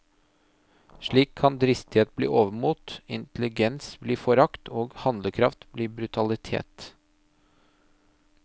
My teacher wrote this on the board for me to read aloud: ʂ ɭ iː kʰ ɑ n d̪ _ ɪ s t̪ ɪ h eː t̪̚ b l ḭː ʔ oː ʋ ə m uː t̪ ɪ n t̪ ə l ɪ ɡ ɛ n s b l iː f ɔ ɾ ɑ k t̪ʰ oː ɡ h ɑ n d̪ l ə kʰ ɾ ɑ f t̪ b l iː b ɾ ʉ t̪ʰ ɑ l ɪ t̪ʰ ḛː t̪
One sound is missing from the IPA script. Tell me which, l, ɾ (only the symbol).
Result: ɾ